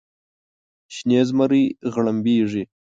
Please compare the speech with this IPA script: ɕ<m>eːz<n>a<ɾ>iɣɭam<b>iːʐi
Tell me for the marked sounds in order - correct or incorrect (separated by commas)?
incorrect, incorrect, correct, correct